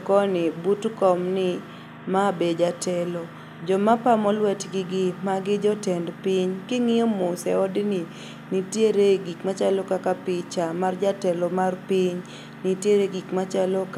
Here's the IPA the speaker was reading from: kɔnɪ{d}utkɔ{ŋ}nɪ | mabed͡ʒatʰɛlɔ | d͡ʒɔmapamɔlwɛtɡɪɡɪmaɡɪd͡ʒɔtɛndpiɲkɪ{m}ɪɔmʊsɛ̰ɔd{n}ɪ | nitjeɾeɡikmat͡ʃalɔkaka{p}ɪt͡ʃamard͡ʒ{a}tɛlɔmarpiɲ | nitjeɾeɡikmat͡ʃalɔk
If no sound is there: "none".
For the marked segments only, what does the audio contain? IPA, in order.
b, m, ŋ, n, p, a

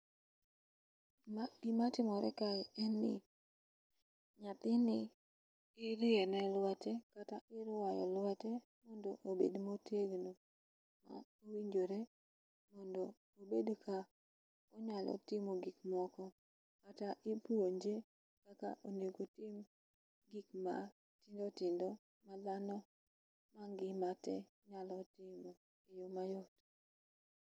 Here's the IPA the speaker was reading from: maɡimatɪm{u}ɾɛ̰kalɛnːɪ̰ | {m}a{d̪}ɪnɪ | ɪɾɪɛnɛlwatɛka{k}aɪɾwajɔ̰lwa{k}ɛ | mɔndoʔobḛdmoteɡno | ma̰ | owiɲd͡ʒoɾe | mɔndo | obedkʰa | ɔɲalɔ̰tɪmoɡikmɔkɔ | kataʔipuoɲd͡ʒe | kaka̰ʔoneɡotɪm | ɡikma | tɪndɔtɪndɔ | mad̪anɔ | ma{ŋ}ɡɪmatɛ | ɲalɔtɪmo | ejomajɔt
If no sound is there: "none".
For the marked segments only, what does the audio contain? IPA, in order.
ɔ, ɲ, t̪, t, t, ŋ

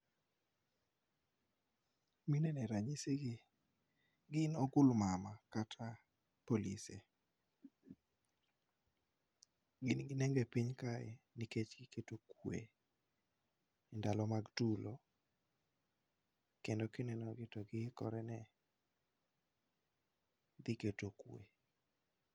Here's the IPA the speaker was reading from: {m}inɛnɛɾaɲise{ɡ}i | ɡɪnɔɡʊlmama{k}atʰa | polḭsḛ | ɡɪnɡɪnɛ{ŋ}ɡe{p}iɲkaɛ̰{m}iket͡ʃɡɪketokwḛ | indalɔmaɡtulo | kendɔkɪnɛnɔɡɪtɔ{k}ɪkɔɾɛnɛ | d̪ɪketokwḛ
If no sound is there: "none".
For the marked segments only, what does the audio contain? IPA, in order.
m, ɡ, k, ŋ, p, n, ɡ

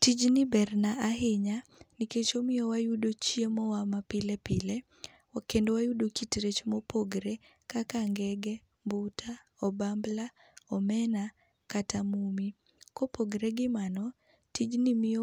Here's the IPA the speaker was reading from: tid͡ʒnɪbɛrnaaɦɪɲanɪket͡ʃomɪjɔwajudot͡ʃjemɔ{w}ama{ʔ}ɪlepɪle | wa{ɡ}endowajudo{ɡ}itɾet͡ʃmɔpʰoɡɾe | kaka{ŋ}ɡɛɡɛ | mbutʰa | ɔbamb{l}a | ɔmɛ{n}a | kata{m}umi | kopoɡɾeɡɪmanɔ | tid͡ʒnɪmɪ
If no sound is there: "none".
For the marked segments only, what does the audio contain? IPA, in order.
w, p, k, k, ŋ, l, n, m

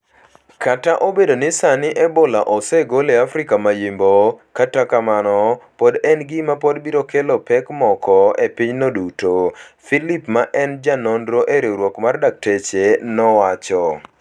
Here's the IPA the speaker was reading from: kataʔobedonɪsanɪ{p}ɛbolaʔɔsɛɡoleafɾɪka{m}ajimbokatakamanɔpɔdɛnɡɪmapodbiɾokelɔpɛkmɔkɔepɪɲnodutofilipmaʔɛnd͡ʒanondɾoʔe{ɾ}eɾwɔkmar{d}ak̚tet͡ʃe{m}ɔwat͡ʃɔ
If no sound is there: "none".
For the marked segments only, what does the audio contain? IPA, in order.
ʔ, m, ɾ, d, n

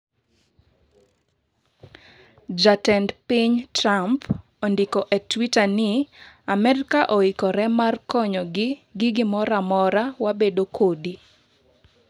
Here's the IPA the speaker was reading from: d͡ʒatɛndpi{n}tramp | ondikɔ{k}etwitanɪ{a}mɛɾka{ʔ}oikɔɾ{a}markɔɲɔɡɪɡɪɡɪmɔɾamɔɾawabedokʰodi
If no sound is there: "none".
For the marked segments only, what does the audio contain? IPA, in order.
ɲ, ʔ, a, ʔ, ɛ

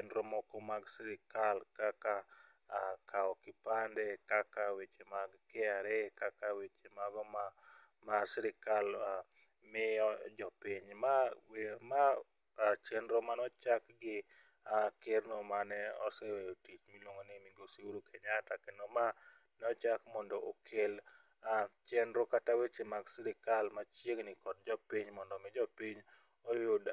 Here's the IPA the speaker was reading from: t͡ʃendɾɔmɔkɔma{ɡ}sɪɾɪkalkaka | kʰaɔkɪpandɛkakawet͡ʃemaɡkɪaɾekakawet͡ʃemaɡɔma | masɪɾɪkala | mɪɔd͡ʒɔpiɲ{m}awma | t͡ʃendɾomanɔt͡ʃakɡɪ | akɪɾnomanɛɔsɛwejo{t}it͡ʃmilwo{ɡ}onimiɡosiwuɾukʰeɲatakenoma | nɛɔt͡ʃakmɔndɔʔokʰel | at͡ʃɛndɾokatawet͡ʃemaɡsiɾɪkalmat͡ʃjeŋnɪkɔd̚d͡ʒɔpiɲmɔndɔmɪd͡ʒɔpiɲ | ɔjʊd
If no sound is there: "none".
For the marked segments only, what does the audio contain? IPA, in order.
ɡ, m, t, ŋ

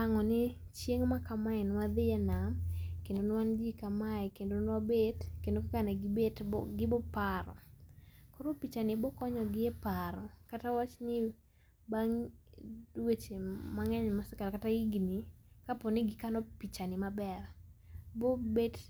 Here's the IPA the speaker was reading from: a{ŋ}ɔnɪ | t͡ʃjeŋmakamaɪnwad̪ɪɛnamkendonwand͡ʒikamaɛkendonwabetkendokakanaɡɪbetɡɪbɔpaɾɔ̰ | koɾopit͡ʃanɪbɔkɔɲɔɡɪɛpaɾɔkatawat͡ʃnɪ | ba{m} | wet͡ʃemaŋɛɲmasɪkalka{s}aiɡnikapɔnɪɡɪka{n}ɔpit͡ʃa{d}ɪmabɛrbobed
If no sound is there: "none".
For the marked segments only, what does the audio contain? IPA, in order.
ŋ, ŋ, t, n, n

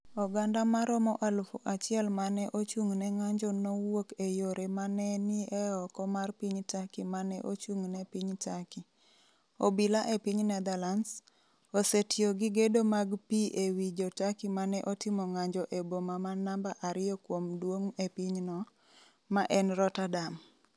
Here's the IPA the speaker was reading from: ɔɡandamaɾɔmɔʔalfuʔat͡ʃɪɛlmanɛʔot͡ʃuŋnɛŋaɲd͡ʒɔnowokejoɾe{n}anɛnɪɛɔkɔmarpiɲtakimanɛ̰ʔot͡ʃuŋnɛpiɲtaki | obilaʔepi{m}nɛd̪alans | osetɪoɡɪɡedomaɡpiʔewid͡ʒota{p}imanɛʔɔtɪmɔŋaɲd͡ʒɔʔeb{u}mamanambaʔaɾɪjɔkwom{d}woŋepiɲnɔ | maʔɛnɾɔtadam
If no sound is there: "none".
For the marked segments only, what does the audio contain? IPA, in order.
m, ɲ, k, o, d

